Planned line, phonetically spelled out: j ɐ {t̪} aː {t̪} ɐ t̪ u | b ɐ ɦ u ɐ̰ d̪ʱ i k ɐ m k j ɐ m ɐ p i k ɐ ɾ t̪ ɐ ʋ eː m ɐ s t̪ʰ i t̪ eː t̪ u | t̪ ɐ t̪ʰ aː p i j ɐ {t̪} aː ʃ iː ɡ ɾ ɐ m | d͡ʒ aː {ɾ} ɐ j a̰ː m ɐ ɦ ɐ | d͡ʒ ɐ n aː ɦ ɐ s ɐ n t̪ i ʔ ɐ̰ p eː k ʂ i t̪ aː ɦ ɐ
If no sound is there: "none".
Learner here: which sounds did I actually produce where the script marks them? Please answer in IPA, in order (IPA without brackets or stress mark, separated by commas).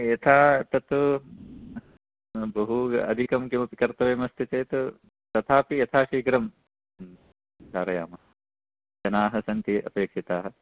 t̪ʰ, t̪, t̪ʰ, ɾ